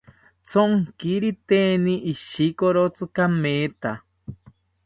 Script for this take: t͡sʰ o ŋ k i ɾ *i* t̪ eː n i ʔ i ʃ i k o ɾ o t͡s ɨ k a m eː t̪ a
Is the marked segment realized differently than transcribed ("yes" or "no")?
no